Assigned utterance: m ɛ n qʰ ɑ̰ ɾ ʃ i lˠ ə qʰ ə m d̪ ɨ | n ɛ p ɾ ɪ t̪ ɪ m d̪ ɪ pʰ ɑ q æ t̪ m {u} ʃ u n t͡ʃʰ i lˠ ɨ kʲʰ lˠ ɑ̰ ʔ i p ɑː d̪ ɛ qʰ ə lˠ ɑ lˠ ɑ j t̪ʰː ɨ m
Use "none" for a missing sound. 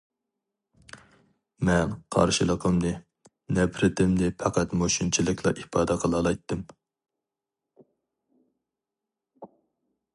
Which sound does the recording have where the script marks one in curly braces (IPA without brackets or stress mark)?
o